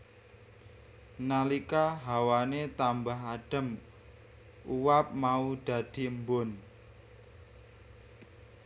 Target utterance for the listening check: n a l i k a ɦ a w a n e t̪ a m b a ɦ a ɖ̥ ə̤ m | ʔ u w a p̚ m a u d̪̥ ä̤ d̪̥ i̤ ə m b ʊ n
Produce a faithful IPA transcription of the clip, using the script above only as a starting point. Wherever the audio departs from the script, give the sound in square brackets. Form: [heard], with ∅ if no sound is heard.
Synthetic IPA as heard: n a l i k a ɦ a w a n e t̪ a m b a ɦ a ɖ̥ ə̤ m | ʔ u w a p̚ m a u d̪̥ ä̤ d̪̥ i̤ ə m b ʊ n